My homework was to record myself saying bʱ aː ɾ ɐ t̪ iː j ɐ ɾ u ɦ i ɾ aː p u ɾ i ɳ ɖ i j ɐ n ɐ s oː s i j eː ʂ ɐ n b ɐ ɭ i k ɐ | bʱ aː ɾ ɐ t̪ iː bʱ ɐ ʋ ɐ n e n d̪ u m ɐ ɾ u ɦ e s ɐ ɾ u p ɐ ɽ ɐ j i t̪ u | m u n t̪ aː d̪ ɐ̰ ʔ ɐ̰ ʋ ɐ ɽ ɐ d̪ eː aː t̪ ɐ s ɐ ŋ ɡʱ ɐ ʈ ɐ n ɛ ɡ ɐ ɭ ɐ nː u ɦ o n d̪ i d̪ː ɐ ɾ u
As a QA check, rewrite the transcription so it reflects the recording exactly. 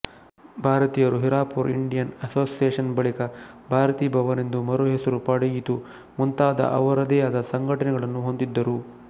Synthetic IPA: bʱ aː ɾ ɐ t̪ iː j ɐ ɾ u ɦ i ɾ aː p u ɾ i ɳ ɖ i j ɐ n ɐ s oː s i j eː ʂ ɐ n b ɐ ɭ i k ɐ | bʱ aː ɾ ɐ t̪ iː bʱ ɐ ʋ ɐ n e n d̪ u m ɐ ɾ u ɦ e s ɐ ɾ u p ɐ ɽ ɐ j i t̪ u | m u n t̪ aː d̪ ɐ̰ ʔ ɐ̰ ʋ ɐ ɾ ɐ d̪ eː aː d̪ ɐ s ɐ ŋ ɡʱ ɐ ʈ ɐ n ɛ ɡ ɐ ɭ ɐ nː u ɦ o n d̪ i d̪ː ɐ ɾ u